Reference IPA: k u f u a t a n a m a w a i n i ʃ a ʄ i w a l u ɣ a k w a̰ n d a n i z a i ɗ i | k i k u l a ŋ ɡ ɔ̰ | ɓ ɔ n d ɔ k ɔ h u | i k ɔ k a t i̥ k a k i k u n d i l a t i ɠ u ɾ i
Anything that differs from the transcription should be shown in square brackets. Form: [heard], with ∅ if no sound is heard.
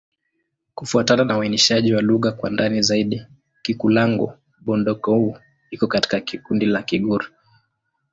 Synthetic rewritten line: k u f u a t a n a [n] a w a i n i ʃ a ʄ i w a l u ɣ a k w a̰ n d a n i z a i ɗ i | k i k u l a ŋ ɡ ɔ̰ | ɓ ɔ n d ɔ k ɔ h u | i k ɔ k a t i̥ k a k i k u n d i l a [k] i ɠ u ɾ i